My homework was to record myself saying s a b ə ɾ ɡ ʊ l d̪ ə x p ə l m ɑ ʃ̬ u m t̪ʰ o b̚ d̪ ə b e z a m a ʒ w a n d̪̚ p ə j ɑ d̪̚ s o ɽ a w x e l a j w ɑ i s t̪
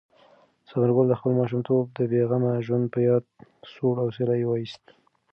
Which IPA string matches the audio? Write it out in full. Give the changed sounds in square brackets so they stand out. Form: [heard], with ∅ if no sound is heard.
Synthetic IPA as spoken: s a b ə ɾ ɡ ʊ l d̪ ə x p ə l m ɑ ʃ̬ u m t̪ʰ o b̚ d̪ ə b e [ɣ] a m a ʒ w a n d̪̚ p ə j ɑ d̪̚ s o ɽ a w [s] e l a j w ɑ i s t̪